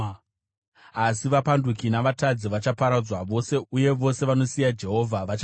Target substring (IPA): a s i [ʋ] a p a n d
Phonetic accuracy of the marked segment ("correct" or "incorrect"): correct